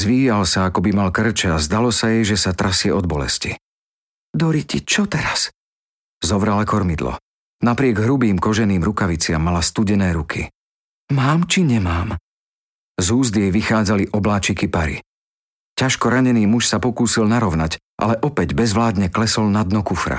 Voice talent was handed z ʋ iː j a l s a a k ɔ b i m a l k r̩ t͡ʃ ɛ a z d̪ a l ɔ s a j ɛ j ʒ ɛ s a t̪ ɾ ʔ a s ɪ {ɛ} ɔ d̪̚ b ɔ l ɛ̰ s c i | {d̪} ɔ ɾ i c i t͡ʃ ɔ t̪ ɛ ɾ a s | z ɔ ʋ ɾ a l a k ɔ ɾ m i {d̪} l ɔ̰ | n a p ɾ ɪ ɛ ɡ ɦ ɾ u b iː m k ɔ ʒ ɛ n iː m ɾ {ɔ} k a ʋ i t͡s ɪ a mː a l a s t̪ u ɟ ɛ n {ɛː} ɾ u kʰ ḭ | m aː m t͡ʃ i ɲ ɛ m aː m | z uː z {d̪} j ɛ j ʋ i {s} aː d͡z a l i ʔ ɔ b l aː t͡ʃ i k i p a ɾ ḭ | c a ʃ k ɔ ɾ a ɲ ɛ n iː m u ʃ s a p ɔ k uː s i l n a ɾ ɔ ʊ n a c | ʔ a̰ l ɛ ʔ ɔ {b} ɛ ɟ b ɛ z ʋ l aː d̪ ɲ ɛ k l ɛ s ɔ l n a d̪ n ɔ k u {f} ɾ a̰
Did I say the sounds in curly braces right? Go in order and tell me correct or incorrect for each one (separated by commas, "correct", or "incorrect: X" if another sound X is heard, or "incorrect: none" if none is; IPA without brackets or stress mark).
correct, correct, correct, incorrect: u, correct, correct, incorrect: x, incorrect: p, correct